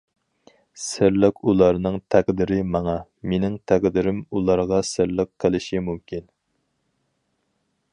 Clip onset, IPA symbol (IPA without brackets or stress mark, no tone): s